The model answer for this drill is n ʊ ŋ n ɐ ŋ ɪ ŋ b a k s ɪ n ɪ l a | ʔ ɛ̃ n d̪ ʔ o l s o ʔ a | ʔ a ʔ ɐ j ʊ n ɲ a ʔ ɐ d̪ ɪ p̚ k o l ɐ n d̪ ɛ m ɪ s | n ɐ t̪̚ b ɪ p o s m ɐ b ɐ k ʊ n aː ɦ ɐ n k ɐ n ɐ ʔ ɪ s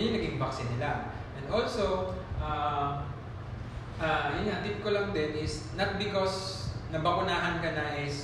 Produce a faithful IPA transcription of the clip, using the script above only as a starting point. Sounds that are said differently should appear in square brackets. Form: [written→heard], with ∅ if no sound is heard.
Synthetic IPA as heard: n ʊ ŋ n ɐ [ŋ→ɡ] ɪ ŋ b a k s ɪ n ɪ l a | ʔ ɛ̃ n d̪ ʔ o l s o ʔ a | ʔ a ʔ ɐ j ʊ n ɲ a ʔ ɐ [d̪→t̪] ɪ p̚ k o l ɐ [n→ŋ] d̪ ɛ [m→n] ɪ s | n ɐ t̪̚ b ɪ [p→k] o s [m→n] ɐ b ɐ k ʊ n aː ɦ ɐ n k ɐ n ɐ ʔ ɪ s